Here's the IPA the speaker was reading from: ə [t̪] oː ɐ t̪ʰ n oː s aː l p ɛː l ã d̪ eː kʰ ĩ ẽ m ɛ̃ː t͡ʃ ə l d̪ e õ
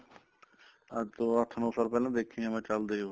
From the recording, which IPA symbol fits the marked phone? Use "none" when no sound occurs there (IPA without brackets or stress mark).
t̪